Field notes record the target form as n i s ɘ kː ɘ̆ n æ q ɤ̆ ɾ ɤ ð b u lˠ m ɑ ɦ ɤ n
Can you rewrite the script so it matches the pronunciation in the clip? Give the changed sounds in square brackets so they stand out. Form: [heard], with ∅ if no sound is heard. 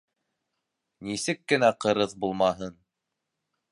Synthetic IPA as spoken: n i s ɘ kː ɘ̆ n æ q ɤ̆ ɾ ɤ ð b u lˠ m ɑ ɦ ɤ n